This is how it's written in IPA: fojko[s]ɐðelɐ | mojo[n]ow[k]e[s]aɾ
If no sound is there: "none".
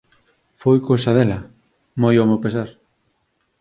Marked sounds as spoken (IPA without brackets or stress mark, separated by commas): s, m, p, s